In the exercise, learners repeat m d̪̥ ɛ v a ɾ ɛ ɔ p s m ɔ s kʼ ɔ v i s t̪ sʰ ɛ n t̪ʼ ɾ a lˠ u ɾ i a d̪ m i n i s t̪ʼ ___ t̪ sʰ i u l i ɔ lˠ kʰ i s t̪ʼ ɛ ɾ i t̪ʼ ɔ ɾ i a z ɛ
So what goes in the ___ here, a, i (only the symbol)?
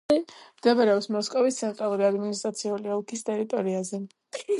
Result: a